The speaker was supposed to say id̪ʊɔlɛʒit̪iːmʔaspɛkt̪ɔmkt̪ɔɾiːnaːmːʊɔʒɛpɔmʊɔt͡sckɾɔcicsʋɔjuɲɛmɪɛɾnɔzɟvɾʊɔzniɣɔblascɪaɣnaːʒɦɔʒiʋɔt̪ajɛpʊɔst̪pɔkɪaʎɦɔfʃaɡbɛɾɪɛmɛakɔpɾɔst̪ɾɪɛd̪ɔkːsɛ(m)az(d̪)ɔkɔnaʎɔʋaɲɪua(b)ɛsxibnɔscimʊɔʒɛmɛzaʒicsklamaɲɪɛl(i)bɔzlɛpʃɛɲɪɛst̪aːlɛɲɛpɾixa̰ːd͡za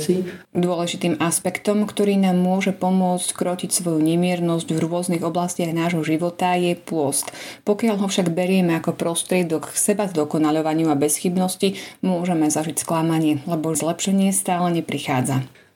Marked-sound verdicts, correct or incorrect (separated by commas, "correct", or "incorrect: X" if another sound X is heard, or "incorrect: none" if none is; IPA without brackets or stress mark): incorrect: b, correct, correct, incorrect: ɛ